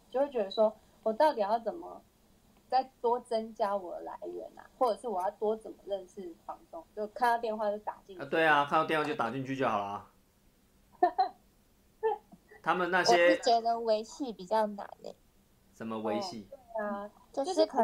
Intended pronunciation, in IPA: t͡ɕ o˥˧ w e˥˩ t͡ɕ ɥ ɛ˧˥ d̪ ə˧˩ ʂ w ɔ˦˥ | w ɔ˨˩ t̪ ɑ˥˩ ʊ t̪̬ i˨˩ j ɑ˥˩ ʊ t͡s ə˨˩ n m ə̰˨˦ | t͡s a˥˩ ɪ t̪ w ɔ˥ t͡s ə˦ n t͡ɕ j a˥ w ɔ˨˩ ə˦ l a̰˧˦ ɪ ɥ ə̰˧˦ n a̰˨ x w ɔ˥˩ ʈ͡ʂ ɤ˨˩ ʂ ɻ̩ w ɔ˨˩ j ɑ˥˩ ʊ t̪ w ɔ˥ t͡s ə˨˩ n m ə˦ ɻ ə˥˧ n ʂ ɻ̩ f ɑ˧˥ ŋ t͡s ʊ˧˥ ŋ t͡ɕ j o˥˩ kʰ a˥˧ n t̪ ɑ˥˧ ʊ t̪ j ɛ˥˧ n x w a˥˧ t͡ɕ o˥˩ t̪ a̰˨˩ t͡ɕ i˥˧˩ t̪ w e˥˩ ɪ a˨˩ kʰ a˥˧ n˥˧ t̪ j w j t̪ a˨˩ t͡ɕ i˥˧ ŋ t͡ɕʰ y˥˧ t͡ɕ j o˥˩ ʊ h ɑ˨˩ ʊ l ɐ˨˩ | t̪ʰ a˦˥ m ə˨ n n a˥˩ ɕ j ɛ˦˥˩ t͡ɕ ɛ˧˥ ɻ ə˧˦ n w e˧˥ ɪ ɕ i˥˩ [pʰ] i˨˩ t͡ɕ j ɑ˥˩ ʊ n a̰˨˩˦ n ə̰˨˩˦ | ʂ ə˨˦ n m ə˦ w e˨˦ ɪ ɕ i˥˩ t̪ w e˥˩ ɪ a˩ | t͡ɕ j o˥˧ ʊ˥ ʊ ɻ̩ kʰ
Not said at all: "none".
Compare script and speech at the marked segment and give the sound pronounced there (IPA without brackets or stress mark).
p